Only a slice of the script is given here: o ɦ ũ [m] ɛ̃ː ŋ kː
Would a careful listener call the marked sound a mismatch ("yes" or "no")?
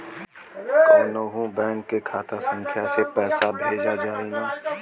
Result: yes